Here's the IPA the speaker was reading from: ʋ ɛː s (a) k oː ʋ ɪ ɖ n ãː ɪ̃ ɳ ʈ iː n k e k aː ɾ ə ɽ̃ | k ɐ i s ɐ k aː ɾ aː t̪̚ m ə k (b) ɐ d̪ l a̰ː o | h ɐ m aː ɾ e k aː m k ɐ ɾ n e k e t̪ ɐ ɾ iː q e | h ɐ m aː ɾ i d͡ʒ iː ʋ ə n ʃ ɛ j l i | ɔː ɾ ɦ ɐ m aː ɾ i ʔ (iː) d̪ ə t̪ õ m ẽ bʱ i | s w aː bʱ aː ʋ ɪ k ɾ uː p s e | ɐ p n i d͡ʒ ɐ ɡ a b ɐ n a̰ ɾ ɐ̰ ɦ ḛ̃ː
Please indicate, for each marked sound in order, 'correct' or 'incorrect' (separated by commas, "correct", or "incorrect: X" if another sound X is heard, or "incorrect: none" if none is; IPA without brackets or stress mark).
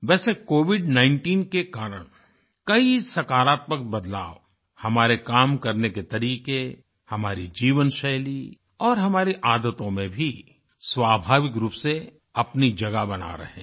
incorrect: e, correct, incorrect: aː